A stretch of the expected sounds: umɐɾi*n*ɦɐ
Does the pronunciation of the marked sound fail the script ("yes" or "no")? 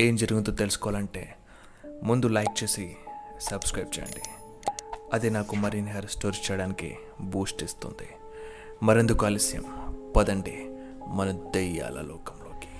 no